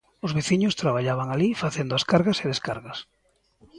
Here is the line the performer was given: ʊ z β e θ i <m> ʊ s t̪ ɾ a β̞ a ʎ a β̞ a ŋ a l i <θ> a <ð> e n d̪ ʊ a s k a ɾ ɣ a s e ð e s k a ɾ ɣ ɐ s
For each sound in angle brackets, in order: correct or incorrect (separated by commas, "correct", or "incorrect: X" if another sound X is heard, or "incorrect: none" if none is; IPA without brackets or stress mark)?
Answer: incorrect: ɲ, incorrect: f, incorrect: θ